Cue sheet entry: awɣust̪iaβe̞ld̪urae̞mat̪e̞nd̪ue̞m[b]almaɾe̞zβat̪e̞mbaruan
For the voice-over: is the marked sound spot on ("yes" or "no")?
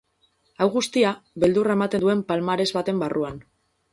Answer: no